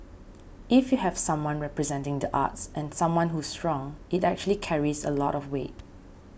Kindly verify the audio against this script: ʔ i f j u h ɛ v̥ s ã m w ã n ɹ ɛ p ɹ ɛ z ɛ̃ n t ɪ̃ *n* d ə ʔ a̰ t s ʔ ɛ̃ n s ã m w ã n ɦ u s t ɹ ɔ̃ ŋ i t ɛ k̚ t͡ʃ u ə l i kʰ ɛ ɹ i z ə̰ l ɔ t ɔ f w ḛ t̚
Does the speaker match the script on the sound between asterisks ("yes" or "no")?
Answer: no